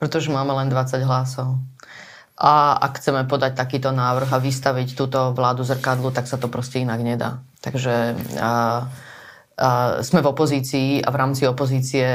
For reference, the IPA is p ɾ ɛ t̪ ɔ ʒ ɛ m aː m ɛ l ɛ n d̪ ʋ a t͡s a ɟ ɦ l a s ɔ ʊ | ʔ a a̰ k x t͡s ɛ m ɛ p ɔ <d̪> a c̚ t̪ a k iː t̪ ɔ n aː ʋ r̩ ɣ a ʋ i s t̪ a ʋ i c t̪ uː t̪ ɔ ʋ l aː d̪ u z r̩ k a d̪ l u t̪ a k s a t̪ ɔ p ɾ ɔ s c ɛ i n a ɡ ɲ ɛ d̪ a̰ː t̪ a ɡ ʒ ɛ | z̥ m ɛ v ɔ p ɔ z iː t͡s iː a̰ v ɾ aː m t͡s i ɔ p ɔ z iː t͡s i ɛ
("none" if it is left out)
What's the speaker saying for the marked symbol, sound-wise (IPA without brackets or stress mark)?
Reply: d̪